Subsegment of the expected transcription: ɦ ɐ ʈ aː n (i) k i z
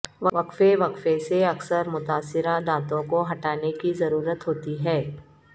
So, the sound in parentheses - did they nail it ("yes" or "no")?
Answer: no